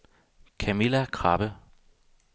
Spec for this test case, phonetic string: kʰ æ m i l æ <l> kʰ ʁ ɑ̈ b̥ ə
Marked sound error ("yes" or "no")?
yes